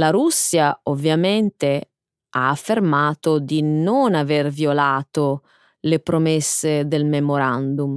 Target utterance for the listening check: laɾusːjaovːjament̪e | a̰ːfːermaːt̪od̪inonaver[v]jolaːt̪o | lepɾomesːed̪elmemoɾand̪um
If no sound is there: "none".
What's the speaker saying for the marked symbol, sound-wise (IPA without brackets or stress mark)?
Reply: v